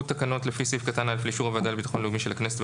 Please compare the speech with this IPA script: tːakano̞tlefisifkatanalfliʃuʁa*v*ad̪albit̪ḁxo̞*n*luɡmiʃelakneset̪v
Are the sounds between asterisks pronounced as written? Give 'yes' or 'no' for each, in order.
yes, yes

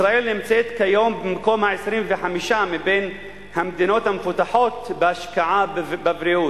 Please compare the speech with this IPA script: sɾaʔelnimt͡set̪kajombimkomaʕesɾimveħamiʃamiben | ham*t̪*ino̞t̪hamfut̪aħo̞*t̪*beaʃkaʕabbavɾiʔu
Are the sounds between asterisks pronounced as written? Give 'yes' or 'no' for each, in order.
no, yes

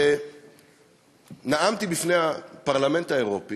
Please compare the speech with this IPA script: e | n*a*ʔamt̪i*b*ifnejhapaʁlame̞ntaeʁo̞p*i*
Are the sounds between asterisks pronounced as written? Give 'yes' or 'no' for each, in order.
yes, yes, yes

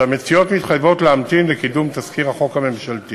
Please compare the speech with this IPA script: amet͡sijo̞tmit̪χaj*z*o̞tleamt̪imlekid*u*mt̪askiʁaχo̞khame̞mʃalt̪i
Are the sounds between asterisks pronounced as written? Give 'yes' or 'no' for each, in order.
no, yes

